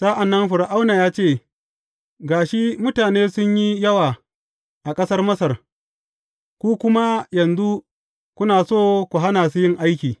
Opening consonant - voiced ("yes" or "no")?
no